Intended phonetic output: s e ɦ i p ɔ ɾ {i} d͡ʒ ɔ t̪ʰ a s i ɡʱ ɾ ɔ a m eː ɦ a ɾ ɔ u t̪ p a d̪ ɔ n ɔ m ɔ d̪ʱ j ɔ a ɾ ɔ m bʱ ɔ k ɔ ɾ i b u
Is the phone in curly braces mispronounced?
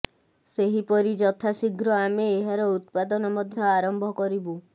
no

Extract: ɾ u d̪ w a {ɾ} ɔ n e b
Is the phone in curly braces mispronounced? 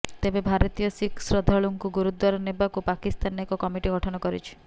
no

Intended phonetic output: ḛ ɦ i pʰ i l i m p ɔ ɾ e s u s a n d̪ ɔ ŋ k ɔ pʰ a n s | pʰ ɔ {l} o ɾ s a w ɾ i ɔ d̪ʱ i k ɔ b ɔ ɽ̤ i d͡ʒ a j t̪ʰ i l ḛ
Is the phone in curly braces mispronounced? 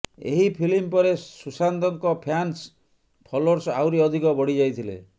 no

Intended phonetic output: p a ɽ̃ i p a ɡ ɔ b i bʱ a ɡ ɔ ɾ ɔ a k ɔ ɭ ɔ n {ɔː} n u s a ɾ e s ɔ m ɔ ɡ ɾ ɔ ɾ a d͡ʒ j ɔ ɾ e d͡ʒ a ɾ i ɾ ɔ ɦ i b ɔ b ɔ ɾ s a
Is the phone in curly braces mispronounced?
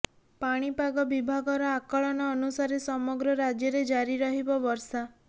no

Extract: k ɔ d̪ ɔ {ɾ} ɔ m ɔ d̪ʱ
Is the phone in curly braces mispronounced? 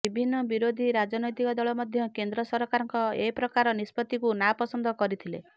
yes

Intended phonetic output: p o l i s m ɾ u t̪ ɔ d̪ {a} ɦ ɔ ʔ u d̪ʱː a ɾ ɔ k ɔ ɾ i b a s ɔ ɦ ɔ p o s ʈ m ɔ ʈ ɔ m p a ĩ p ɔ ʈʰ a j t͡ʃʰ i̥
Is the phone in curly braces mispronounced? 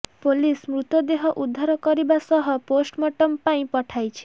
yes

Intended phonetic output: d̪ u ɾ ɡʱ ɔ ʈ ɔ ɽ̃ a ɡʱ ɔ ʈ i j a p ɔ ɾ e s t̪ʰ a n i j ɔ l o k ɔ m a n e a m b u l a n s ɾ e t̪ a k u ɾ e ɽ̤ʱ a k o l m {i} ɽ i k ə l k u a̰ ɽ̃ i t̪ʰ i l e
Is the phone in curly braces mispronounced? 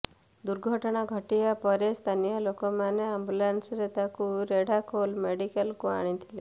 yes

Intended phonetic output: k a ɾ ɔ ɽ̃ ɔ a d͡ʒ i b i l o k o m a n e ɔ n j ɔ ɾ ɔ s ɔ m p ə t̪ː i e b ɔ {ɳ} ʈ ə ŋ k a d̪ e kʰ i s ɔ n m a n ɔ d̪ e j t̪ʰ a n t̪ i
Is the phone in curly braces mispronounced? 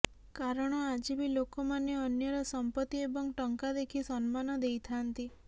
yes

